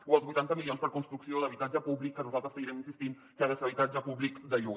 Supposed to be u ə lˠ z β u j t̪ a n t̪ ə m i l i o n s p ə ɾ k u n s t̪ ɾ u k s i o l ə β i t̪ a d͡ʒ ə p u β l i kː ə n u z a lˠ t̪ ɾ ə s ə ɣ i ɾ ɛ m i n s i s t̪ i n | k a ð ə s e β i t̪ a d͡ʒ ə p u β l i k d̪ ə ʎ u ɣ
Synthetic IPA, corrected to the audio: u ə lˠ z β u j t̪ a n t̪ ə m i l i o n s p ə ɾ k u n s t̪ ɾ u k s i o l ə β i t̪ a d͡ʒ ə p u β l i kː ə n u z a lˠ t̪ ɾ ə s ə ɣ i ɾ ɛ m i n s i s t̪ i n | k a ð ə s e β i t̪ a d͡ʒ ə p u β l i k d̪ ə ʎ u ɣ